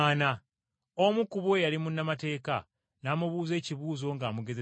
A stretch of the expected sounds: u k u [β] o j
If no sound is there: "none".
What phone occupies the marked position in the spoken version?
β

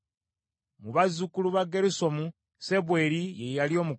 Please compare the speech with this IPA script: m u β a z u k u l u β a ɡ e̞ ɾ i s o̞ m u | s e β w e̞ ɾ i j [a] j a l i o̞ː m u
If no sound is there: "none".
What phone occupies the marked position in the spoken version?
e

